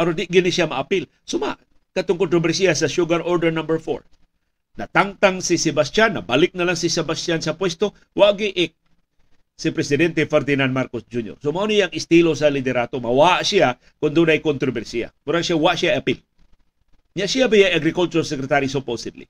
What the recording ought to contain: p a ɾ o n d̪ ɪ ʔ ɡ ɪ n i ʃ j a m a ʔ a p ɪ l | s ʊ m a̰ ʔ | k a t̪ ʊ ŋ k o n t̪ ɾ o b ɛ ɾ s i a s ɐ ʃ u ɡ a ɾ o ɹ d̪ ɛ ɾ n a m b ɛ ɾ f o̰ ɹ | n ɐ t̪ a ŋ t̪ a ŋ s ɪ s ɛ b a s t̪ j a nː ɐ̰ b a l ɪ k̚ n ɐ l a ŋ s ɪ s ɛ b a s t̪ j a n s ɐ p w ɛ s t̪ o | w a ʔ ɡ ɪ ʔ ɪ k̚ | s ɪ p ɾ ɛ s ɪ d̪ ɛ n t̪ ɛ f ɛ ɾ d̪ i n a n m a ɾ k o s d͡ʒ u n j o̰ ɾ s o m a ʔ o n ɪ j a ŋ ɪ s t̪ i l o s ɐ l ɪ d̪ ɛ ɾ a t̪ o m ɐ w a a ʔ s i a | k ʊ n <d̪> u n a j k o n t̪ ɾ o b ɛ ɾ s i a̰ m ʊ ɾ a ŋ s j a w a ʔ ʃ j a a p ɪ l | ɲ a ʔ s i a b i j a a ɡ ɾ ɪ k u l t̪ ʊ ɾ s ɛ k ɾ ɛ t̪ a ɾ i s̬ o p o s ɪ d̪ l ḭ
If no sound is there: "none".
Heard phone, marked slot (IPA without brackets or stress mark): d̪